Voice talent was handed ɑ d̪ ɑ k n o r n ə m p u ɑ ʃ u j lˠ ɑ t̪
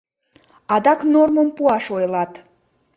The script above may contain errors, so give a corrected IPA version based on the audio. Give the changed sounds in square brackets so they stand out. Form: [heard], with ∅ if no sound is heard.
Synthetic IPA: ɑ d̪ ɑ k n o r [m] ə m p u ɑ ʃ [o] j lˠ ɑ t̪